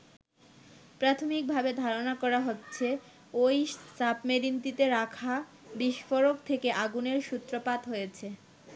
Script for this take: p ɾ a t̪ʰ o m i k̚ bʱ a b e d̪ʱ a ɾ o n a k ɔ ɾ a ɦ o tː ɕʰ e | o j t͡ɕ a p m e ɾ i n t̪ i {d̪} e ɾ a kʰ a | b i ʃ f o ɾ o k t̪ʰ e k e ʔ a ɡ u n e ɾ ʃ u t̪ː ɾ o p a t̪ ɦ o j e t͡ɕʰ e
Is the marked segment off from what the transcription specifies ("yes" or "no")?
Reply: yes